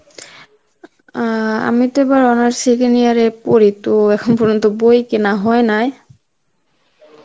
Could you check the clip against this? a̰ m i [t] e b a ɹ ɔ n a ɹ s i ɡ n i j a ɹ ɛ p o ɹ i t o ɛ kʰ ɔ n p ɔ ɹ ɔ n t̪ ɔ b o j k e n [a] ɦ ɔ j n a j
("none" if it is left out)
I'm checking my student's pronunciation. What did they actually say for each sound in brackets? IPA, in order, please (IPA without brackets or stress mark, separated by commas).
t, a